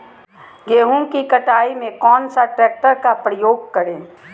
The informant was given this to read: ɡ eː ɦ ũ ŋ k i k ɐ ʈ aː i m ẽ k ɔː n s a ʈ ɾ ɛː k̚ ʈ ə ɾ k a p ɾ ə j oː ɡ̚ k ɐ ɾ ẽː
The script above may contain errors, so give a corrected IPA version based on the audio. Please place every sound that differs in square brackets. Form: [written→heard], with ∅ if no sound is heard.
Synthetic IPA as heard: ɡ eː ɦ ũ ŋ k i k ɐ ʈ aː i m ẽ k ɔː n s a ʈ ɾ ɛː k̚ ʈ ə ɾ k a p ɾ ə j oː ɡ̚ k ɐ ɾ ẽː